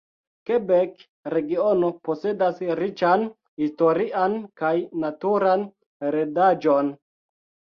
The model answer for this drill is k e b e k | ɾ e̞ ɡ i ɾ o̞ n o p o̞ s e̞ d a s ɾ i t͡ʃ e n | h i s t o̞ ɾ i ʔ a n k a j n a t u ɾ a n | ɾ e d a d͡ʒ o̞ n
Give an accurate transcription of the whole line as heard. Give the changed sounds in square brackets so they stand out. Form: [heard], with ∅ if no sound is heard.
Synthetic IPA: k e b e k | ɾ e̞ ɡ i [∅] o̞ n o p o̞ s e̞ d a s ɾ i t͡ʃ [a] n | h i s t o̞ ɾ i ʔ a n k a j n a t u ɾ a n | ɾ e d a d͡ʒ o̞ n

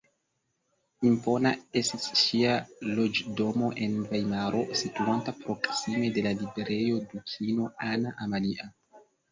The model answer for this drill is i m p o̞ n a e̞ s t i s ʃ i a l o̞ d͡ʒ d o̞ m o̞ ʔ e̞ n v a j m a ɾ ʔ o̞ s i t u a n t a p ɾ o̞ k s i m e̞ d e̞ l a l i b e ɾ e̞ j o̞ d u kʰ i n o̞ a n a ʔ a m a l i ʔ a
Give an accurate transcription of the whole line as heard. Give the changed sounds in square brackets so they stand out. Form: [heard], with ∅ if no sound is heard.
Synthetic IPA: i m p o̞ n a e̞ s t i s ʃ i a l o̞ d͡ʒ d o̞ m o̞ ʔ e̞ n v a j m a ɾ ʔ o̞ s i t u a n t a p ɾ o̞ k s i m e̞ d e̞ l a l i b e ɾ e̞ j o̞ d u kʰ i n o̞ a n a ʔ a m a l i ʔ a

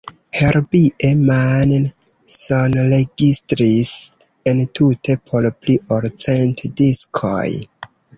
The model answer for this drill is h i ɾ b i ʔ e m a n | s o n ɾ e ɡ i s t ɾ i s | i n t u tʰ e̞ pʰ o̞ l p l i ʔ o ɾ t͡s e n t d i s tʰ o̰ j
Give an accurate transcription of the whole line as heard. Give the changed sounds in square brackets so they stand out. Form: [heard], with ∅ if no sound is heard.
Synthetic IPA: h [e] ɾ b i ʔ e m a n | s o n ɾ e ɡ i s t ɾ i s | [e] n t u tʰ e̞ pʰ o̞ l p l i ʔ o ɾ t͡s e n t d i s [kʰ] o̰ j

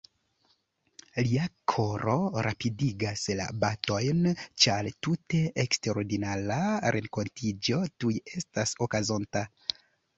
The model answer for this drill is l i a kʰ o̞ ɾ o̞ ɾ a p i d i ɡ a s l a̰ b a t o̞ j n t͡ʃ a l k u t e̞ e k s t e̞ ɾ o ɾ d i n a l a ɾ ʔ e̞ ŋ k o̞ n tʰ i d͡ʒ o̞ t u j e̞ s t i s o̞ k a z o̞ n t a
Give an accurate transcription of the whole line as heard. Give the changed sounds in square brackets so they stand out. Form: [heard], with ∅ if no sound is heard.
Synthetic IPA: l i a kʰ o̞ ɾ o̞ ɾ a p i d i ɡ a s l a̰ b a t o̞ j n t͡ʃ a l [t] u t e̞ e k s t e̞ ɾ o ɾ d i n a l a ɾ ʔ e̞ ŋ k o̞ n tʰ i d͡ʒ o̞ t u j e̞ s t [a] s o̞ k a z o̞ n t a

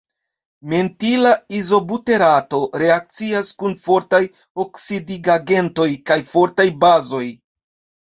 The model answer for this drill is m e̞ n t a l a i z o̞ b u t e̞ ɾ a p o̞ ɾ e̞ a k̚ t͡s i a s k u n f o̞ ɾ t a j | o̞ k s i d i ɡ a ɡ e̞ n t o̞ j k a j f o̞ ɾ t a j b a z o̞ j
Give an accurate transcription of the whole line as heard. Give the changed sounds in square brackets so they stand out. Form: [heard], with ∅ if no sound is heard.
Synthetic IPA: m e̞ n t [i] l a i z o̞ b u t e̞ ɾ a [t] o̞ ɾ e̞ a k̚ t͡s i a s k u n f o̞ ɾ t a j | o̞ k s i d i ɡ a ɡ e̞ n t o̞ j k a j f o̞ ɾ t a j b a z o̞ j

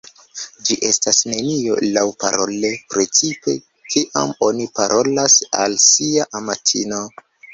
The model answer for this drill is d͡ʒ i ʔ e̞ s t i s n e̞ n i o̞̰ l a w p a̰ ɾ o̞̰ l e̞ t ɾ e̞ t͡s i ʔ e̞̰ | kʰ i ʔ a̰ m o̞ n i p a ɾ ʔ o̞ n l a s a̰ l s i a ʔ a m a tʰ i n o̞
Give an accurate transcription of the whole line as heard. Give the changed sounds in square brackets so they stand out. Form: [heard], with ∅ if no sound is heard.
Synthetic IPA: d͡ʒ i ʔ e̞ s t [a] s n e̞ n i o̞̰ l a w p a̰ ɾ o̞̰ l e̞ [p] ɾ e̞ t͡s i [p] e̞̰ | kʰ i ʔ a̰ m o̞ n i p a ɾ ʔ o̞ [∅] l a s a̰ l s i a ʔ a m a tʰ i n o̞

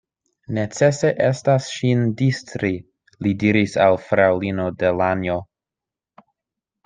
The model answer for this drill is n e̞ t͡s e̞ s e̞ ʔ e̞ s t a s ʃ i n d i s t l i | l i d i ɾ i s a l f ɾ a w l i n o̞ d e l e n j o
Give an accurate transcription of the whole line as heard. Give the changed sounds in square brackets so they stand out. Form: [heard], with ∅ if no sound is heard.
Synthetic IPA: n e̞ t͡s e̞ s e̞ ʔ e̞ s t a s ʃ i n d i s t [ɾ] i | l i d i ɾ i s a l f ɾ a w l i n o̞ d e l [a] n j o

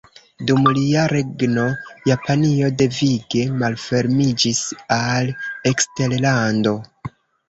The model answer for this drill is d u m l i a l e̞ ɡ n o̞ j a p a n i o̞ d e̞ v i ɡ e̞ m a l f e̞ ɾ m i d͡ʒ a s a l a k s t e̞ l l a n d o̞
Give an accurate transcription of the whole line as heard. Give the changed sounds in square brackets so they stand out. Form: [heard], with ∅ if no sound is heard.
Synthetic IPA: d u m l i a [ɾ] e̞ ɡ n o̞ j a p a n i o̞ d e̞ v i ɡ e̞ m a l f e̞ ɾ m i d͡ʒ [i] s a l [e] k s t e̞ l l a n d o̞

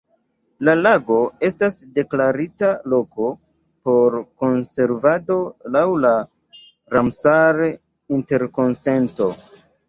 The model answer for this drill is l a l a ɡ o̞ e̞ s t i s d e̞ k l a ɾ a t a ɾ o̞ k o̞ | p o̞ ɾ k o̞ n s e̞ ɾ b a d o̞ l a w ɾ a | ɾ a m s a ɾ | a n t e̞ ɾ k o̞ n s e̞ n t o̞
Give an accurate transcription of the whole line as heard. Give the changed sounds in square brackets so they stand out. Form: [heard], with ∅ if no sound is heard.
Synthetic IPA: l a l a ɡ o̞ e̞ s t [a] s d e̞ k l a ɾ [i] t a [l] o̞ k o̞ | p o̞ ɾ k o̞ n s e̞ ɾ [v] a d o̞ l a w [l] a | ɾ a m s a ɾ | [i] n t e̞ ɾ k o̞ n s e̞ n t o̞

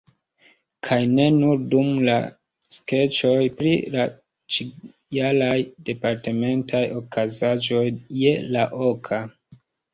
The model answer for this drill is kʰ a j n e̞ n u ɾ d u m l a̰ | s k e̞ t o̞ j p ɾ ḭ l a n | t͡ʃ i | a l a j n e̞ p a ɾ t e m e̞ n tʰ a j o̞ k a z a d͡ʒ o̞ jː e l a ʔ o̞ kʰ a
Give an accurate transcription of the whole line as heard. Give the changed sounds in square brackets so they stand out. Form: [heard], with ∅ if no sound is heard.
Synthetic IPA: kʰ a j n e̞ n u ɾ d u m l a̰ | s k e̞ [t͡ʃ] o̞ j p ɾ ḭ l a [∅] | t͡ʃ i | a l a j [d] e̞ p a ɾ t e m e̞ n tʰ a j o̞ k a z a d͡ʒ o̞ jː e l a ʔ o̞ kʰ a

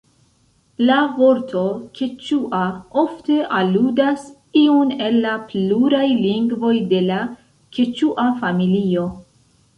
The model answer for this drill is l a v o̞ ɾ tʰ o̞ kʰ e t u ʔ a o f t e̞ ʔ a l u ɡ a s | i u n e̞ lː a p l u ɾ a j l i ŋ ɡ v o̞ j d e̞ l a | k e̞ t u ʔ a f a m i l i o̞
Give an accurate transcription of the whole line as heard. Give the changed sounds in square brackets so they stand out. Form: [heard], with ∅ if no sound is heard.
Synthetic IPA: l a v o̞ ɾ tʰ o̞ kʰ e [t͡ʃ] u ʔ a o f t e̞ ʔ a l u [d] a s | i u n e̞ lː a p l u ɾ a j l i ŋ ɡ v o̞ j d e̞ l a | k e̞ [t͡ʃ] u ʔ a f a m i l i o̞

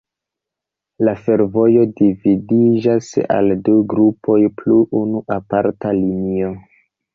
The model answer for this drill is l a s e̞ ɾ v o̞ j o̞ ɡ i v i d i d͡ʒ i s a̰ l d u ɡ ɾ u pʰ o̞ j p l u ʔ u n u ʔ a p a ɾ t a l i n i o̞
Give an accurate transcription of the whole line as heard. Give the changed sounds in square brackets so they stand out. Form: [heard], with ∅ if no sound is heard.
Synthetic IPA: l a [f] e̞ ɾ v o̞ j o̞ [d] i v i d i d͡ʒ [a] s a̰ l d u ɡ ɾ u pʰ o̞ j p l u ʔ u n u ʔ a p a ɾ t a l i n i o̞

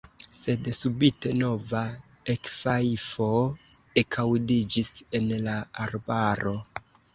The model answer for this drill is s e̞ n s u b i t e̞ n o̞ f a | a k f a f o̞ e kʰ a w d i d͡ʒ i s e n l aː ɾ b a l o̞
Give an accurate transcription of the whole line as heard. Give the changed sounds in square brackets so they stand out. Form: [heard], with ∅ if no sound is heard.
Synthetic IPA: s e̞ [d] s u b i t e̞ n o̞ [v] a | [e] k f a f o̞ e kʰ a w d i d͡ʒ i s e n l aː ɾ b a [ɾ] o̞

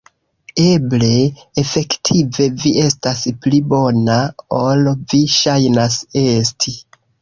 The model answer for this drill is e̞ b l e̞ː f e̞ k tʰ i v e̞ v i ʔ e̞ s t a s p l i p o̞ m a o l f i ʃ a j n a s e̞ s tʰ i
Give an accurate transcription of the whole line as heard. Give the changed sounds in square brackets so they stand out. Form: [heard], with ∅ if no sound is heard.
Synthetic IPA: e̞ b l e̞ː f e̞ k tʰ i v e̞ v i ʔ e̞ s t a s p l i [b] o̞ [n] a o l [v] i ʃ a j n a s e̞ s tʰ i

